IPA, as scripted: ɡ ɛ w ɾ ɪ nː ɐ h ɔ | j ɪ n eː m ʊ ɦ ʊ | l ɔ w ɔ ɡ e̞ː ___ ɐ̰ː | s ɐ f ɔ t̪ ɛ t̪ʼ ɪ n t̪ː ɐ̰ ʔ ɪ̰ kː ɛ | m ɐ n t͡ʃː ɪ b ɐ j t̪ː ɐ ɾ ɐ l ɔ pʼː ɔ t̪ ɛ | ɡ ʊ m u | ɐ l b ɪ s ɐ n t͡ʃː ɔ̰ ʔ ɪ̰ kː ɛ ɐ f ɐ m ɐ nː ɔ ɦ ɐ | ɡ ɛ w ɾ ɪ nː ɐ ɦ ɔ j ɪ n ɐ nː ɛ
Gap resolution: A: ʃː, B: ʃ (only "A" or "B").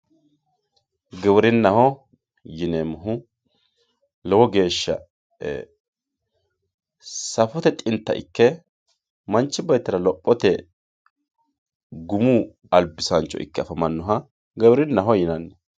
A